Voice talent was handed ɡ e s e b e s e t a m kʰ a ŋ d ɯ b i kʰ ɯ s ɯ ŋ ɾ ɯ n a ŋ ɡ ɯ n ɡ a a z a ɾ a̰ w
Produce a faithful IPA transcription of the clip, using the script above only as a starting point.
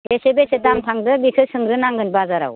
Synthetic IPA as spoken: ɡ e s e b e s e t a m tʰ a ŋ d ɯ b i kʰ ɯ s ɯ ŋ ɾ ɯ n a ŋ ɡ ɯ n b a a z a ɾ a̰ w